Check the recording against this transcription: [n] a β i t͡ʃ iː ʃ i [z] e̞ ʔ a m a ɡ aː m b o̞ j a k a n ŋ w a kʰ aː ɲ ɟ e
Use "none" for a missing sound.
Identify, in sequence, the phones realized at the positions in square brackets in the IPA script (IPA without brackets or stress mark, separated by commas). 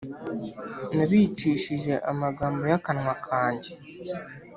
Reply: n, ʒ